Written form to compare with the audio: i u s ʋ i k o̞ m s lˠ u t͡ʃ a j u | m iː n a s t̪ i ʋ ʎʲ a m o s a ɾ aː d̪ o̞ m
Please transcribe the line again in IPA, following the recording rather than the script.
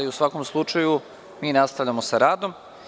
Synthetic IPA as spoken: i u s ʋ a k o̞ m s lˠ u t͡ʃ a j u | m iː n a s t̪ a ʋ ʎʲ a m o s a ɾ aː d̪ o̞ m

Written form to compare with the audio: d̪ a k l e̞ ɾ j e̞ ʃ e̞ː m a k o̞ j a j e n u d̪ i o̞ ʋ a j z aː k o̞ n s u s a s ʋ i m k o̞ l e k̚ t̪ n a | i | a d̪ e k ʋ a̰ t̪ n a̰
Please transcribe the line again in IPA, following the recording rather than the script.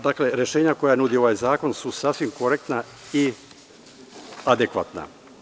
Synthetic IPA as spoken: d̪ a k l e̞ ɾ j e̞ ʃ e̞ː ɲ a k o̞ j a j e n u d̪ i o̞ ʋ a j z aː k o̞ n s u s a s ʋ i m k o̞ ɾ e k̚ t̪ n a | i | a d̪ e k ʋ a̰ t̪ n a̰

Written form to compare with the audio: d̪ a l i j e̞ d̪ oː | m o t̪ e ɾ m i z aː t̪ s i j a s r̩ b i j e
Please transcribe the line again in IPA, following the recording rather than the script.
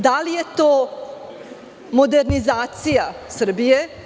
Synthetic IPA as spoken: d̪ a l i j e̞ t̪ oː | m o d̪ e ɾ n i z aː t̪ s i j a s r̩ b i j e

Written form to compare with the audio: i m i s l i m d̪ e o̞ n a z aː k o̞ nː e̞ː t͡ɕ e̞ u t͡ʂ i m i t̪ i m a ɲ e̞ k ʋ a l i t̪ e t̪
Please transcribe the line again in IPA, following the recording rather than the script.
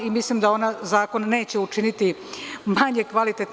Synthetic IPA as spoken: i m i s l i m d̪ a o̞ n a z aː k o̞ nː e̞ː t͡ɕ e̞ u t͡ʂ i n i t̪ i m a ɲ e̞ k ʋ a l i t̪ e t̪

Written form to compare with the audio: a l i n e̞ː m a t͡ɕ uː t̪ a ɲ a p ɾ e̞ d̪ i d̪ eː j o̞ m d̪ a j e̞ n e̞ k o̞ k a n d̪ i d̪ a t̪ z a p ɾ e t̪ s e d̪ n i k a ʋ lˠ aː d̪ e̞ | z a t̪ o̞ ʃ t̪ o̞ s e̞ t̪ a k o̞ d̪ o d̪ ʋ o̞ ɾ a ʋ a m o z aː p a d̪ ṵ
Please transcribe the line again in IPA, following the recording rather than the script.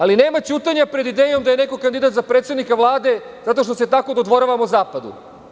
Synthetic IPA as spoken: a l i n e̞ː m a t͡ɕ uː t̪ a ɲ a p ɾ e̞ d̪ i d̪ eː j o̞ m d̪ a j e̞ n e̞ k o̞ k a n d̪ i d̪ a t̪ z a p ɾ e t̪ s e d̪ n i k a ʋ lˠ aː d̪ e̞ | z a t̪ o̞ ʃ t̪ o̞ s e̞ t̪ a k o̞ d̪ o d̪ ʋ o̞ ɾ a ʋ a m o z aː p a d̪ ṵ

